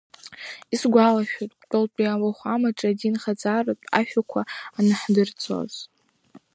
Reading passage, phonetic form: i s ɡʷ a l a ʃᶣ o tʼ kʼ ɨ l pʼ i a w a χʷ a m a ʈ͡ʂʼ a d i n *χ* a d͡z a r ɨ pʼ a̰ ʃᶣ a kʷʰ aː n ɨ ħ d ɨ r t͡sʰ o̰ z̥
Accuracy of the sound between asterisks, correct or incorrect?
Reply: correct